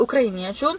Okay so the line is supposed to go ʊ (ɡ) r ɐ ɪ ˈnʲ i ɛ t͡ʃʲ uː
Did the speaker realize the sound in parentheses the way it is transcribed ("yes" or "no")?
no